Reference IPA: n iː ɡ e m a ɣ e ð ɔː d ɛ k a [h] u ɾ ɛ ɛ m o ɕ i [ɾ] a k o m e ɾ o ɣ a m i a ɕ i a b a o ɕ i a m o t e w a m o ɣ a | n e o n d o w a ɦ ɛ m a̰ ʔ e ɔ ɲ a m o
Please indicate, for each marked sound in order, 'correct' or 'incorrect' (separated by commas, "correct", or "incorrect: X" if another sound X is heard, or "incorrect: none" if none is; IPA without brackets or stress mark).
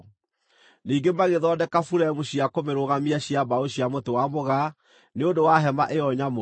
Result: incorrect: f, incorrect: none